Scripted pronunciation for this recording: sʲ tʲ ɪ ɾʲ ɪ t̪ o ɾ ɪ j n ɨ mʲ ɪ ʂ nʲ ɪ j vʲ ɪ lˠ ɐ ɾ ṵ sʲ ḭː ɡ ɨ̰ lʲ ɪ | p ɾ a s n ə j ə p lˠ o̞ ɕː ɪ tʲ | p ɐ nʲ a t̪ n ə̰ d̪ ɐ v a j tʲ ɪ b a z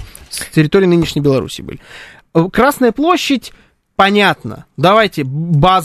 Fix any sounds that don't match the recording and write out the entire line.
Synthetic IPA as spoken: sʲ tʲ ɪ ɾʲ ɪ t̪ o ɾ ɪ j n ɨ nʲ ɪ ʂ nʲ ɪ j bʲ ɪ lˠ ɐ ɾ ṵ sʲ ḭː b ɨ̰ lʲ ɪ | k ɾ a s n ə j ə p lˠ o̞ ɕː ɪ tʲ | p ɐ nʲ a t̪ n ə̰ d̪ ɐ v a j tʲ ɪ b a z